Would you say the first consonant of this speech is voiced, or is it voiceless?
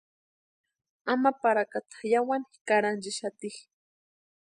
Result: voiced